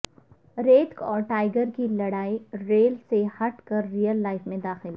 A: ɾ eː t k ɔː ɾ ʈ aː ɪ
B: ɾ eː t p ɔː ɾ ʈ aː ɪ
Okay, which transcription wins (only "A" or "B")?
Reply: A